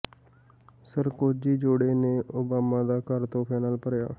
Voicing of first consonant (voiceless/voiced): voiceless